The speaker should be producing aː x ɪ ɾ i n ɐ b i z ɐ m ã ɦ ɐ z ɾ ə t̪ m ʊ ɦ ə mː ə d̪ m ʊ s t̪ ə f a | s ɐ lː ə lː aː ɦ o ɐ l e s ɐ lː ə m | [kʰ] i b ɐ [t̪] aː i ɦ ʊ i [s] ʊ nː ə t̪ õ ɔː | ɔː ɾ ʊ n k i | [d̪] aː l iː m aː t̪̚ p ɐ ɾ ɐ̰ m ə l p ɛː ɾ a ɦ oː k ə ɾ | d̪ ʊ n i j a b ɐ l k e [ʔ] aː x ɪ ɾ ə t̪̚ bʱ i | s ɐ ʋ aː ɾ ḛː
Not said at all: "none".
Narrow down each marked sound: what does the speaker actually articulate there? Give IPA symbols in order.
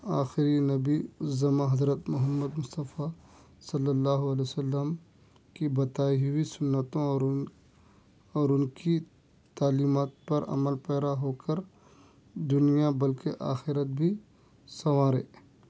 k, t̪, s, t̪, ʔ

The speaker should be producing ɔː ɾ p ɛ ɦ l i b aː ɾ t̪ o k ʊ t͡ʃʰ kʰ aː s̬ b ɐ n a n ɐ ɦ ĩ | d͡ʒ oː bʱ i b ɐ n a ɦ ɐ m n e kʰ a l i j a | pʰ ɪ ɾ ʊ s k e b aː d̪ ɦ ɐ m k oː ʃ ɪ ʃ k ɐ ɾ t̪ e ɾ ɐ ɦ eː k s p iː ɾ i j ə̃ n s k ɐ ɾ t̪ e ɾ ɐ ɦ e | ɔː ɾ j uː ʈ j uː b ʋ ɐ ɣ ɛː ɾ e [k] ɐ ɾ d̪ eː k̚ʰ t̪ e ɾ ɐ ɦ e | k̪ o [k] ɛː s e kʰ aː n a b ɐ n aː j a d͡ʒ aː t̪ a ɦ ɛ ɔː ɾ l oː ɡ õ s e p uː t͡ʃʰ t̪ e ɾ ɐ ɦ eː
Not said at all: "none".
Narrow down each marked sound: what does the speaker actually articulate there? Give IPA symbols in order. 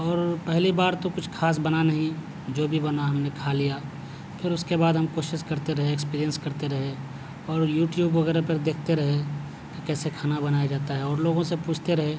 p, k

